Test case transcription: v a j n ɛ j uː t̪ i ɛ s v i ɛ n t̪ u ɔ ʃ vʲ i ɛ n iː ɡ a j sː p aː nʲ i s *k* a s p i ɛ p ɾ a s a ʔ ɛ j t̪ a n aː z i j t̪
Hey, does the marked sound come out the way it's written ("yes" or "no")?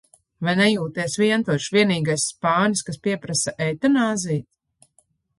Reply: yes